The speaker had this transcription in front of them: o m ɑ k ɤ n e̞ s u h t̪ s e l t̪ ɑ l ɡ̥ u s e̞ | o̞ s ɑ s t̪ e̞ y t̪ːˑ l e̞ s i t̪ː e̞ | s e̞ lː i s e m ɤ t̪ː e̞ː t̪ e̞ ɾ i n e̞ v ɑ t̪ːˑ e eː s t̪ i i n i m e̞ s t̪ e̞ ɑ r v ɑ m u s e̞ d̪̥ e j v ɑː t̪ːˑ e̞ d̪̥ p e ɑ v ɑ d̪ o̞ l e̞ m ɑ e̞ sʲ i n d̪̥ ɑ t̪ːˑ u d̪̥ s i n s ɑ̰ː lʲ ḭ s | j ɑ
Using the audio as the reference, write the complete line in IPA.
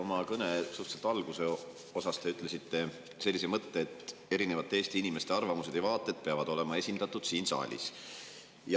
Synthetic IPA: o m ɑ k ɤ n e̞ s u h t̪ s e l t̪ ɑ l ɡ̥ u s e̞ | o̞ s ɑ s t̪ e̞ y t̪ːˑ l e̞ s i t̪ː e̞ | s e̞ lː i s e m ɤ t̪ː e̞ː t̪ e̞ ɾ i n e̞ v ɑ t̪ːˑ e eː s t̪ i i n i m e̞ s t̪ e̞ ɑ r v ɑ m u s e̞ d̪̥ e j v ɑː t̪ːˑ e̞ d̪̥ p e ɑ v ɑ d̪ o̞ l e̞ m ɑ e̞ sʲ i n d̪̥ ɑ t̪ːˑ u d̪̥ s iː n s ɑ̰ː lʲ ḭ s | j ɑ